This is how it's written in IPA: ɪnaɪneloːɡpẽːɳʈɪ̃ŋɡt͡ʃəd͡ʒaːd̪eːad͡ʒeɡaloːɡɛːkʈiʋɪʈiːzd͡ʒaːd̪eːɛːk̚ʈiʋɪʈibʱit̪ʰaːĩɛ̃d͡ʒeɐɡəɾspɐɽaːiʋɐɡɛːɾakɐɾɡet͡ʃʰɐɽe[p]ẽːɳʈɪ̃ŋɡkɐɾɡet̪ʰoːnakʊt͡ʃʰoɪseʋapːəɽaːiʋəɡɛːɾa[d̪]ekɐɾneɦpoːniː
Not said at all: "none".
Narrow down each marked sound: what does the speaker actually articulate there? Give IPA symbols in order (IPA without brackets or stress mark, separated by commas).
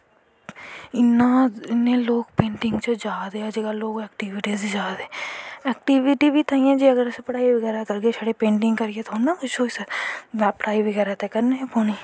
p, t̪